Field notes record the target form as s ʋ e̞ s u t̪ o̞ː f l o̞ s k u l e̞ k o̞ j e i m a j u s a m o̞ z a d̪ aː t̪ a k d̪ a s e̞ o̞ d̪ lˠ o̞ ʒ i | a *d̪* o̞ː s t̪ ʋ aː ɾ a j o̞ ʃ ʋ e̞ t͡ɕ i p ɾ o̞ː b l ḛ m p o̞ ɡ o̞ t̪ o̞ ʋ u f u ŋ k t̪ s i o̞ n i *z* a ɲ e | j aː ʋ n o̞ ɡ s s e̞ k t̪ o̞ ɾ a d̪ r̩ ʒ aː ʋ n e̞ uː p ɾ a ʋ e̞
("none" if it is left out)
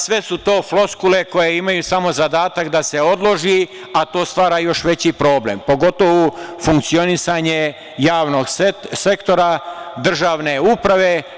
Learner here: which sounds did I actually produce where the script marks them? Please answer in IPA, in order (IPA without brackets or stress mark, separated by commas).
t̪, s